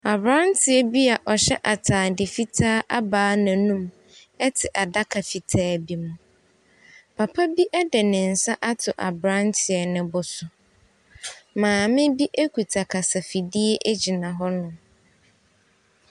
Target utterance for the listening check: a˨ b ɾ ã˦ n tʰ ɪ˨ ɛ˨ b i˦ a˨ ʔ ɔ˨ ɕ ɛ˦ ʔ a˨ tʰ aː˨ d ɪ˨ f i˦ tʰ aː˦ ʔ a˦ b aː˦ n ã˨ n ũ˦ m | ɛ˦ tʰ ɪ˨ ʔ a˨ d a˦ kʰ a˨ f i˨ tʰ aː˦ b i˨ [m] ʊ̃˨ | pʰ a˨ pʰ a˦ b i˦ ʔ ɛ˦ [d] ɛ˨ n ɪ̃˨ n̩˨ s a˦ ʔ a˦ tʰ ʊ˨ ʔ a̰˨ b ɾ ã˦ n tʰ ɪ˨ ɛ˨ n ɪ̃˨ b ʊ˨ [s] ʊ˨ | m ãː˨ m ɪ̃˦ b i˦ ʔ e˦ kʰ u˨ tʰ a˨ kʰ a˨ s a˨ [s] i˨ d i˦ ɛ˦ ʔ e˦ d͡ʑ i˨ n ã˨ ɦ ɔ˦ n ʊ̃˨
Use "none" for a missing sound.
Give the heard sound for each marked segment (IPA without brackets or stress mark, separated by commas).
m, d, s, f